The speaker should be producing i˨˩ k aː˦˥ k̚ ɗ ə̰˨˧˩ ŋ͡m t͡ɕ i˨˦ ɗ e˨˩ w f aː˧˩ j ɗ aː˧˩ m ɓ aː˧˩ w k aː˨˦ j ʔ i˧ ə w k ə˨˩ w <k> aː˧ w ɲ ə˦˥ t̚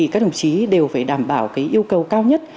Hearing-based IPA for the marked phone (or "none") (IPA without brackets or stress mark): k